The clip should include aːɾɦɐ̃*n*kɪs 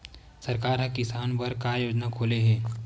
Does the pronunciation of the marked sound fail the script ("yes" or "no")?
yes